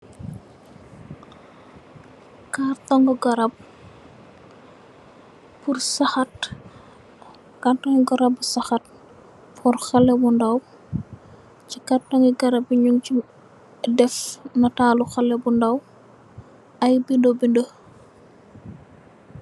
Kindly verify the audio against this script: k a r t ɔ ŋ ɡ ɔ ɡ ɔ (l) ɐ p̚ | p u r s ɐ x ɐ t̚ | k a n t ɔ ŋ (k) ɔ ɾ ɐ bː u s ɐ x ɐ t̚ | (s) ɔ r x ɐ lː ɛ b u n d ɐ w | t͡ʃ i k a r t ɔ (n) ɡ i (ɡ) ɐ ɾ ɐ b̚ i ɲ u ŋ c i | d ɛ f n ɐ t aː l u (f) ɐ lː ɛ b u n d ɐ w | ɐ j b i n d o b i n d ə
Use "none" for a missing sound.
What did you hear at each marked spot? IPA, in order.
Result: ɾ, ɡ, f, ŋ, ɡ, x

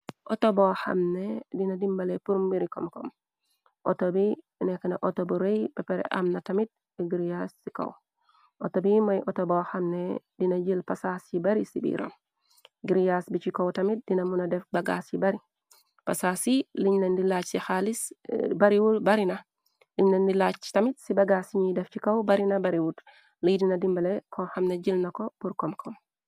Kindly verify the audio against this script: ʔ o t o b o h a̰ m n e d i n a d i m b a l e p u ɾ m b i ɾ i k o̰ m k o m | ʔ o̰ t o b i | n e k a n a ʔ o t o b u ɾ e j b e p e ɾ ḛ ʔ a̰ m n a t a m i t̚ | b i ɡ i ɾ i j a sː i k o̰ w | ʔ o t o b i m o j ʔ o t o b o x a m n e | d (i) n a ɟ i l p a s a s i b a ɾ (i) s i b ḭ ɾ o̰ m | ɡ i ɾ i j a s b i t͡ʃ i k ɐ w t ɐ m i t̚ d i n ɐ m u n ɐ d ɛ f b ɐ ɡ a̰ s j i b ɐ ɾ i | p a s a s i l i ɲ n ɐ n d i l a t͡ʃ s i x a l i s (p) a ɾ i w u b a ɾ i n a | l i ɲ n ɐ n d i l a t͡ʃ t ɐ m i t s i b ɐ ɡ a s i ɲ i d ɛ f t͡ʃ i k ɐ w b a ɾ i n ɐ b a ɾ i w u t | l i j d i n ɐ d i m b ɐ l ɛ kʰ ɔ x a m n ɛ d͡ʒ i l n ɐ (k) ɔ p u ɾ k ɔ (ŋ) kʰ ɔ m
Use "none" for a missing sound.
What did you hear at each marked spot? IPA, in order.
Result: i, i, b, k, m

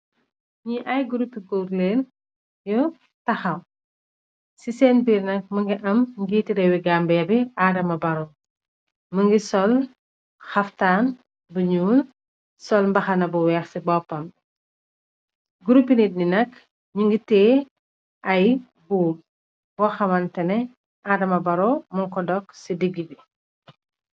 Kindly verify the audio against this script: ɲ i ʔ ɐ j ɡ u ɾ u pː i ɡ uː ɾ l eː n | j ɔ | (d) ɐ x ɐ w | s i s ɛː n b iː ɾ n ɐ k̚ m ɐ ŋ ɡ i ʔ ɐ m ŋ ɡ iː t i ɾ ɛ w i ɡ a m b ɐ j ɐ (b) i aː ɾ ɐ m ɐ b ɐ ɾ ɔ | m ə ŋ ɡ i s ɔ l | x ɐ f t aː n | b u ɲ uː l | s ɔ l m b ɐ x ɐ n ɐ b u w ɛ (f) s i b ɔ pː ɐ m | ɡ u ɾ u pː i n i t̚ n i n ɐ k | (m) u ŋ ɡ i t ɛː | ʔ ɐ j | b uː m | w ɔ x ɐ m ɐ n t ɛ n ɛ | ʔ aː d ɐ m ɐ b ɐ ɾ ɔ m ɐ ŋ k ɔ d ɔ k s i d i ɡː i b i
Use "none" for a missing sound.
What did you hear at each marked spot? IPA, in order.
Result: t, b, x, ɲ

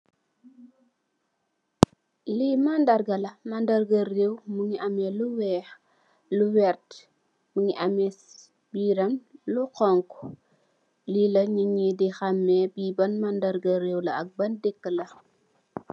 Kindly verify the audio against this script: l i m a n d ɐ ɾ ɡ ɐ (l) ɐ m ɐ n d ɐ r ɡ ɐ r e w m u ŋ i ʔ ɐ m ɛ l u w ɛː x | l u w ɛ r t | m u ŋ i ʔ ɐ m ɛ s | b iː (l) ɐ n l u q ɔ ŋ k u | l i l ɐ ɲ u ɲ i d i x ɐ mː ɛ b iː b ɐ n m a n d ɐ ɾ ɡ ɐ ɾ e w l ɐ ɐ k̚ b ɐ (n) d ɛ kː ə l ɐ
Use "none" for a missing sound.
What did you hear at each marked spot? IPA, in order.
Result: l, ɾ, n

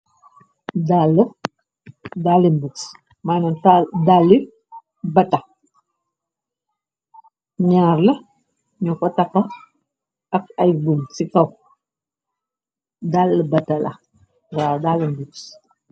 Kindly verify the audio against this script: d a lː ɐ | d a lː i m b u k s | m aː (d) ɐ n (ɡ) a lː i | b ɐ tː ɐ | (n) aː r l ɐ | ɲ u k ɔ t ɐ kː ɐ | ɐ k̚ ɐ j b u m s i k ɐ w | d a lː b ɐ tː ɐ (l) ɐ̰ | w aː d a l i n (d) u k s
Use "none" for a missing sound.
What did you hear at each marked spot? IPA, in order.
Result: n, d, ɲ, l, b

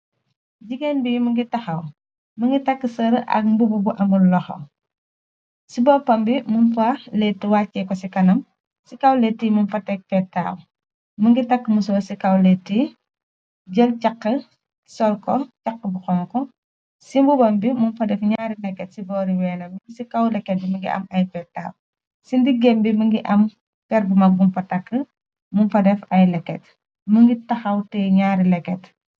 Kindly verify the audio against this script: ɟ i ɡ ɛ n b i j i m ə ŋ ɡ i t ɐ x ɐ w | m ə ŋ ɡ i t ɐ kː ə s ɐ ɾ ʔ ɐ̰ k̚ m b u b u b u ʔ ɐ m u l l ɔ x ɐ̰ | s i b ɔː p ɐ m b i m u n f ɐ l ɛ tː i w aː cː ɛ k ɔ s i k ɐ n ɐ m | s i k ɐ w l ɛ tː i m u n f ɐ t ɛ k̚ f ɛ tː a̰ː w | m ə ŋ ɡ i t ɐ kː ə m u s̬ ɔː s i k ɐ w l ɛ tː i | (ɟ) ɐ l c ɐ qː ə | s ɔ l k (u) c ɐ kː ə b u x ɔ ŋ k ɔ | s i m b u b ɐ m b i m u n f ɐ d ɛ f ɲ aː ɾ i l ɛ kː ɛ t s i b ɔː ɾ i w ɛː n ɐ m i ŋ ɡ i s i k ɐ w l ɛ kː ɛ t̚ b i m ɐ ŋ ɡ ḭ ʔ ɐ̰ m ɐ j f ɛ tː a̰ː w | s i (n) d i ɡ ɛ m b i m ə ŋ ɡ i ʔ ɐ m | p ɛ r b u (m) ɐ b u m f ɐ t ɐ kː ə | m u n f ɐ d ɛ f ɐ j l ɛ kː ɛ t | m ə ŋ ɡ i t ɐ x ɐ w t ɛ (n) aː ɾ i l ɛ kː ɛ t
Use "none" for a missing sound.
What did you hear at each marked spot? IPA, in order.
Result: ɟ, ɔ, n, m, ɲ

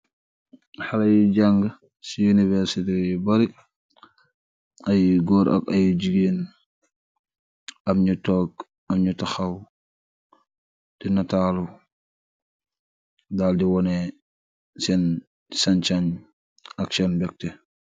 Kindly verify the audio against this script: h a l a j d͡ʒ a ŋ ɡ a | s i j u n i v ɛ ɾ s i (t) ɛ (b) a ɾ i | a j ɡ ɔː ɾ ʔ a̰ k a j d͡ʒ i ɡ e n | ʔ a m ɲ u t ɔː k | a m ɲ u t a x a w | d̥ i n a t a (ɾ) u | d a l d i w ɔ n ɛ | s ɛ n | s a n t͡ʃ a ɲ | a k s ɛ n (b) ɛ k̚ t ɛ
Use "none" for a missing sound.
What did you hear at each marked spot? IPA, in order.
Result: t, b, l, b

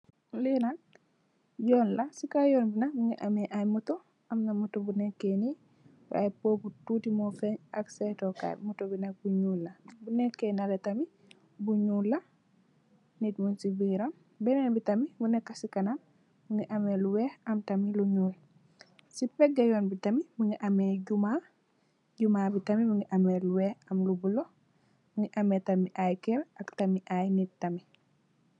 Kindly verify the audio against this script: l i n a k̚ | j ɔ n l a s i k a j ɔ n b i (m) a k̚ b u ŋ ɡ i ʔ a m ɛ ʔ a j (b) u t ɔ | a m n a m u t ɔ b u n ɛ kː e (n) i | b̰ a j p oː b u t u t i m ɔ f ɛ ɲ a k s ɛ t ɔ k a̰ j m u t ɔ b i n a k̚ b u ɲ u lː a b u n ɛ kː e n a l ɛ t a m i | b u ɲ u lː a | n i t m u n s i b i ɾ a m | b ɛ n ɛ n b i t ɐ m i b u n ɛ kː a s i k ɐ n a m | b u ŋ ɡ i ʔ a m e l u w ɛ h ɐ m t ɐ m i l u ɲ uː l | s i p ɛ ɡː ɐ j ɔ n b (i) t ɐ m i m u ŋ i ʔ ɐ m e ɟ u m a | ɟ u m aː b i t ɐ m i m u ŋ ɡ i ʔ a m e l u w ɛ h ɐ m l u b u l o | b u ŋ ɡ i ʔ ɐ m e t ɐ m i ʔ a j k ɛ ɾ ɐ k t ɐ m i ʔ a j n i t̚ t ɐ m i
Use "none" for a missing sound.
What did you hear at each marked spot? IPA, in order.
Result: n, m, n, i

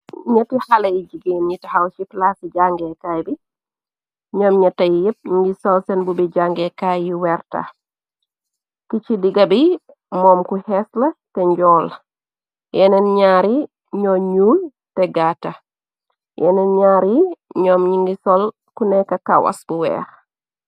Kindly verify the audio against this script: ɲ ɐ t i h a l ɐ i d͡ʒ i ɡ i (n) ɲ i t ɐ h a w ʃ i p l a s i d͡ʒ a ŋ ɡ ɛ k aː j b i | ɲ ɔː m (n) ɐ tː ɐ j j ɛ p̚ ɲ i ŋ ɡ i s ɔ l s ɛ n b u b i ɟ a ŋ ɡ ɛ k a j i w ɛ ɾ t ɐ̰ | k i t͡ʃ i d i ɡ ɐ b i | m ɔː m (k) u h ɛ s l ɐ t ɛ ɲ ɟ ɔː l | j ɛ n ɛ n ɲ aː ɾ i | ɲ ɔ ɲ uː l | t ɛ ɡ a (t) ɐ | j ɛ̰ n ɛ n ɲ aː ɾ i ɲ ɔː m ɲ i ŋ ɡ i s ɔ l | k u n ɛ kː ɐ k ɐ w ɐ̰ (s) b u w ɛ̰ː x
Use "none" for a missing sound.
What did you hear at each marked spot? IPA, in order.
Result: n, ɲ, k, t, s

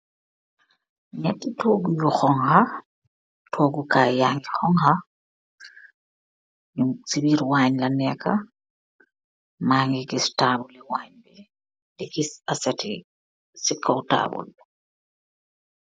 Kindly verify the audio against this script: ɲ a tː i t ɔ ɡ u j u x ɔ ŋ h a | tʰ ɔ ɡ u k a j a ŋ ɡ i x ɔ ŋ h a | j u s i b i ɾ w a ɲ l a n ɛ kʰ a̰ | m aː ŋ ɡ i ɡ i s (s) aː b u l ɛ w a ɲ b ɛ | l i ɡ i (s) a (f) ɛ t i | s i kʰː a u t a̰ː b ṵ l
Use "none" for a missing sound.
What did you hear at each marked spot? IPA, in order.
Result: t, s, s

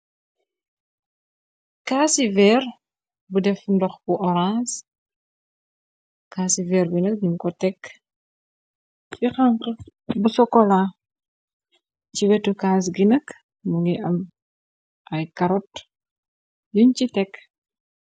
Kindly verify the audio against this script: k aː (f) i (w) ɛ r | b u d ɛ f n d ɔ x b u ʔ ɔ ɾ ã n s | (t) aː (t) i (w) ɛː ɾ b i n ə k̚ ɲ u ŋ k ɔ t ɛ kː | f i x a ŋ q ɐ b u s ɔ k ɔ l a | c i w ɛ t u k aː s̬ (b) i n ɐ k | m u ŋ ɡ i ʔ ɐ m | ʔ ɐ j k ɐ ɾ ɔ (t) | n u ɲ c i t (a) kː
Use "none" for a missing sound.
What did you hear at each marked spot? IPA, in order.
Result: s, v, k, s, v, ɡ, t, ɛ

